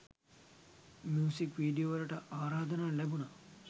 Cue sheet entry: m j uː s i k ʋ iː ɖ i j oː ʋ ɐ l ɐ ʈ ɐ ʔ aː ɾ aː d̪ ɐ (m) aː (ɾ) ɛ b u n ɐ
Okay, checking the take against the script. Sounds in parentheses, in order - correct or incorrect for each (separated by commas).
incorrect, incorrect